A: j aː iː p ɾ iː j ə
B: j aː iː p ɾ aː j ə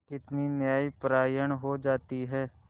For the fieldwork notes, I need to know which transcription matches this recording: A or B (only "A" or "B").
B